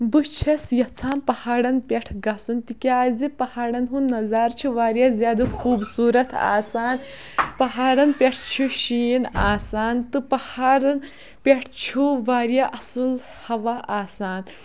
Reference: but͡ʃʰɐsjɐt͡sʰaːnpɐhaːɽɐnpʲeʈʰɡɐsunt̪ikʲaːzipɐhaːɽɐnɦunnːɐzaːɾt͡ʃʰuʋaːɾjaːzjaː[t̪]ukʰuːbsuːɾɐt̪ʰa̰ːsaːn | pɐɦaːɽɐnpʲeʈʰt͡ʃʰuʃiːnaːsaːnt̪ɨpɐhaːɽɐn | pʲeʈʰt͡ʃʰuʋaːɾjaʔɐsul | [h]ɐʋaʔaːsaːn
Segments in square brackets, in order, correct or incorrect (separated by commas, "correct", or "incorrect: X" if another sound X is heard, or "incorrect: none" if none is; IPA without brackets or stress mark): incorrect: d̪, correct